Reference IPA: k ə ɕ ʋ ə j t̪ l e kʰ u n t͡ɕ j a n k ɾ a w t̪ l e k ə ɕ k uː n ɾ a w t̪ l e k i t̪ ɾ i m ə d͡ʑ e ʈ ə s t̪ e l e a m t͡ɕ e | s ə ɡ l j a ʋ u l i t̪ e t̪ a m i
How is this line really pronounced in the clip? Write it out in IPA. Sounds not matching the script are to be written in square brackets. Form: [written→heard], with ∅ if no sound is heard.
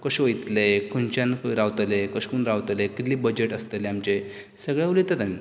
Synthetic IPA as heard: k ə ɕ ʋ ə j t̪ l e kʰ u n t͡ɕ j a n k ɾ a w t̪ l e k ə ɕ k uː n ɾ a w t̪ l e k i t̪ [ɾ→l] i [m→b] ə d͡ʑ e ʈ ə s t̪ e l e a m t͡ɕ e | s ə ɡ [l→ɭ] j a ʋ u l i t̪ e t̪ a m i

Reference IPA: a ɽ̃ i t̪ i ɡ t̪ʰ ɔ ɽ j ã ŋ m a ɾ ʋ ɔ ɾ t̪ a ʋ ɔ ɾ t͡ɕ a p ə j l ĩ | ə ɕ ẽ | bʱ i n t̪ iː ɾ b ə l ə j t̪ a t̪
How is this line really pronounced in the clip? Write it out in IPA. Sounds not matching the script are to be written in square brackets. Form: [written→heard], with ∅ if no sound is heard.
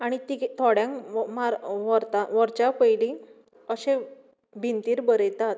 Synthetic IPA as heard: a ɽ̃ i t̪ i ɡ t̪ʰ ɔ ɽ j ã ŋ m a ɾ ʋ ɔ ɾ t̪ a ʋ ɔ ɾ t͡ɕ a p ə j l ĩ | ə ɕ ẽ | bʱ i n t̪ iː ɾ b ə [l→ɾ] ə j t̪ a t̪

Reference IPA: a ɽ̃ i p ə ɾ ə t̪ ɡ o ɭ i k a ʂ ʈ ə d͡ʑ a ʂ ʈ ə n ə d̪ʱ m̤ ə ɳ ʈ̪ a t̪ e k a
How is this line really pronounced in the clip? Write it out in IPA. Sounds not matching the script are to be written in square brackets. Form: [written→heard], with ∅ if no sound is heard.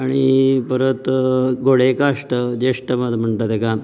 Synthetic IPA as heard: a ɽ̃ i p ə ɾ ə t̪ ɡ o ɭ [i→e] k a ʂ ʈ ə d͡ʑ [a→e] ʂ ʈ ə [n→m] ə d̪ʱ m̤ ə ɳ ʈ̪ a t̪ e k a

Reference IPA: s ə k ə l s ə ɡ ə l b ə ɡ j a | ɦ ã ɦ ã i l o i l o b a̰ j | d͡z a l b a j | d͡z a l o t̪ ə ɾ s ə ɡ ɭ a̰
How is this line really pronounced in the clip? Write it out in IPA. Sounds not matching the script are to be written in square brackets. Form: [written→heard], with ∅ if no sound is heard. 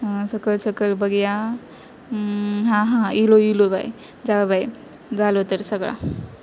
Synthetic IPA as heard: s ə k ə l s ə [ɡ→k] ə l b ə ɡ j a | ɦ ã ɦ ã i l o i l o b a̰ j | d͡z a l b a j | d͡z a l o t̪ ə ɾ s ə ɡ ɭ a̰

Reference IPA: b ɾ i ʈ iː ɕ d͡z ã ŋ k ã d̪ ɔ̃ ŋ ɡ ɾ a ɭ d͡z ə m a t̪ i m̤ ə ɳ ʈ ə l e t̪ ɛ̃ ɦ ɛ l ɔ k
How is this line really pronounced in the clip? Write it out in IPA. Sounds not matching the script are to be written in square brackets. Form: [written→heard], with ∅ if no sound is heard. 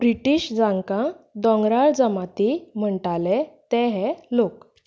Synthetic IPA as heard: b ɾ i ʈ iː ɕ d͡z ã ŋ k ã d̪ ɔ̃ ŋ ɡ ɾ a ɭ d͡z ə m a t̪ i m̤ ə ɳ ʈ [ə→a] l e t̪ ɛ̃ ɦ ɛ l [ɔ→o] k

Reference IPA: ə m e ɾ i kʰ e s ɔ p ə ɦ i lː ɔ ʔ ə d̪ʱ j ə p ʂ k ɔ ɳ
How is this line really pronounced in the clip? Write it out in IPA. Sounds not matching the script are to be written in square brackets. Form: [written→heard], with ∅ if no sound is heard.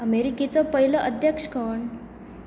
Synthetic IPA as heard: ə m e ɾ i [kʰ→k] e [s→t͡s] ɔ p ə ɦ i [lː→l] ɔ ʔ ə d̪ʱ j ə [p→k] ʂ k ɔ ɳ

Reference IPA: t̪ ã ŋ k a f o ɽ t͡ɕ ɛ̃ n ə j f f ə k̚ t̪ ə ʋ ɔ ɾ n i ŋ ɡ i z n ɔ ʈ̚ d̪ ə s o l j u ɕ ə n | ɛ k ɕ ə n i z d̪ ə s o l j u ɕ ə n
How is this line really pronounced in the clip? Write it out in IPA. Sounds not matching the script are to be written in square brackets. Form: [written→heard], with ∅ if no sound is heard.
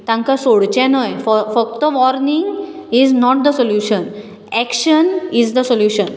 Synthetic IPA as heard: t̪ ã ŋ k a [f→s] o ɽ t͡ɕ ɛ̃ n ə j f f ə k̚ t̪ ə ʋ ɔ ɾ n i ŋ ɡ i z n ɔ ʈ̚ d̪ ə s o l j u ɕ ə n | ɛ k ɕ ə n i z d̪ ə s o l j u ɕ ə n

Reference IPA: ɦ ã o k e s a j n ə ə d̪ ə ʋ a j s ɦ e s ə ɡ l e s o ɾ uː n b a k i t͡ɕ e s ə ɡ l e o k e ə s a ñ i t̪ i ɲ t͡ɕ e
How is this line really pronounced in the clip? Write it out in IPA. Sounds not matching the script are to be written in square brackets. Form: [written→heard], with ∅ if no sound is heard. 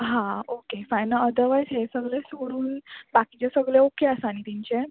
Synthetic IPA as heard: ɦ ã o k e [s→f] a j n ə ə d̪ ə ʋ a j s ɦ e s ə ɡ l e s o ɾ uː n b a k i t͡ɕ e s ə ɡ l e o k e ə s a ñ i t̪ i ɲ t͡ɕ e

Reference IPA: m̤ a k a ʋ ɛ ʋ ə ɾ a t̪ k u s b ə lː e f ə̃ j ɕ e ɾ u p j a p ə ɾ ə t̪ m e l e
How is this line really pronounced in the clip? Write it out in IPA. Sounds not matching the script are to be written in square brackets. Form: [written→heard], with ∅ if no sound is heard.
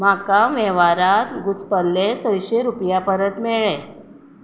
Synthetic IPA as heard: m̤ a k a ʋ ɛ ʋ [ə→a] ɾ a t̪ [k→ɡ] u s [b→p] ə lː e [f→s] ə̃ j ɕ e ɾ u p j a p ə ɾ ə t̪ m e [l→ɭ] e

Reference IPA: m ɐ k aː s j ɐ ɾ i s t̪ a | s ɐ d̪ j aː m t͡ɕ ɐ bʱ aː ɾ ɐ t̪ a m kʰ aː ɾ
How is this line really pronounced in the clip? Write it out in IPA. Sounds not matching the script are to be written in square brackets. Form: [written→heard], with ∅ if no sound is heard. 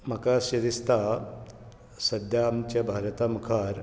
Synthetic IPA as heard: m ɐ k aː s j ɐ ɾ i s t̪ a | s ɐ d̪ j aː m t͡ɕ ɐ bʱ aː ɾ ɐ t̪ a m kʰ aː ɾ

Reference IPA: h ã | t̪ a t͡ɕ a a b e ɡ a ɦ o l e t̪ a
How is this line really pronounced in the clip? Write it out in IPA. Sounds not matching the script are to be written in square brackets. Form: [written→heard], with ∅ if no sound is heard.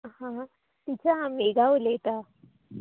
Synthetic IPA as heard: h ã | t̪ [a→i] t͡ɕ a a [b→m] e ɡ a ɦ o l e t̪ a

